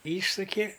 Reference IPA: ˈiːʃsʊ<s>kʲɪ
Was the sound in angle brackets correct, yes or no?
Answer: no